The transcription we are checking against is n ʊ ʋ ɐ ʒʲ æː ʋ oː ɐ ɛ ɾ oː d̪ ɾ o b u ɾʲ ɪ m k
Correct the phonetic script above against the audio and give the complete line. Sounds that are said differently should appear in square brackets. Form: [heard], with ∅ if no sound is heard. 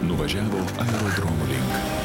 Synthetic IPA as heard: n ʊ ʋ ɐ ʒʲ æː ʋ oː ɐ ɛ ɾ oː d̪ ɾ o [m] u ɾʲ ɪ [ŋ] k